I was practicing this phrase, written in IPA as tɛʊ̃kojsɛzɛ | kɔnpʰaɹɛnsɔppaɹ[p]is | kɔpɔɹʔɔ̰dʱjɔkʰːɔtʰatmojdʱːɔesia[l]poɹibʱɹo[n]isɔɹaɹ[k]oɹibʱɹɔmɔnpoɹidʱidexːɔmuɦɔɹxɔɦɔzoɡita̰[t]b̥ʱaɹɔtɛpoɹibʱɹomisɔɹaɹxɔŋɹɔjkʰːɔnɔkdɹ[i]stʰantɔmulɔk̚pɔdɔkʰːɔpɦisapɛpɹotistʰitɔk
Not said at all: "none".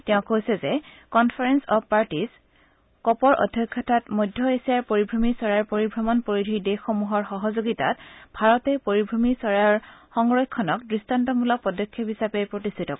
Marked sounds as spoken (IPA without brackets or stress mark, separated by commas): t, ɹ, m, p, t, i